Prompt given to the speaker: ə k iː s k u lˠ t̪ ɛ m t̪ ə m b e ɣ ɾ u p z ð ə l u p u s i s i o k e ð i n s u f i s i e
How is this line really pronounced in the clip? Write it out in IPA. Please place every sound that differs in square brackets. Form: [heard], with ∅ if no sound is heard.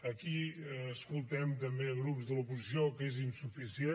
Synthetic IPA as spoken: ə k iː s k u lˠ t̪ ɛ m t̪ ə m b e ɣ ɾ u p z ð ə l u p u [z] i s i o k e [z] i n s u f i s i e